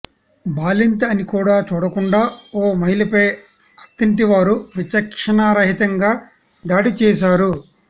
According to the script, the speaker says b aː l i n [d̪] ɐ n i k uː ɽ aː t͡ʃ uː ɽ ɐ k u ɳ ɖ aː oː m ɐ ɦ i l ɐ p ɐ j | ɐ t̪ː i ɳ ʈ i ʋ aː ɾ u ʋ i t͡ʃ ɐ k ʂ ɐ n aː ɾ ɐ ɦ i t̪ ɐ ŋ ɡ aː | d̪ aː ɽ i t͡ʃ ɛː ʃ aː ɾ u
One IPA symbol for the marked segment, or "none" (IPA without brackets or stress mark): t̪